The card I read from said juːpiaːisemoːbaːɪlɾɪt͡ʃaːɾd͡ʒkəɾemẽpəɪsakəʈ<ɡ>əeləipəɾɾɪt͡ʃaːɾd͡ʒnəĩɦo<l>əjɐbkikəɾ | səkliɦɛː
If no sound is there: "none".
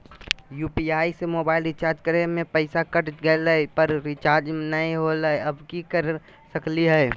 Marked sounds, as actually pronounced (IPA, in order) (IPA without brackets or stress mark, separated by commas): ɡ, l